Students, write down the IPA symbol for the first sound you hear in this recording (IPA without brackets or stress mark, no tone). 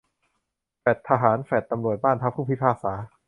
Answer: f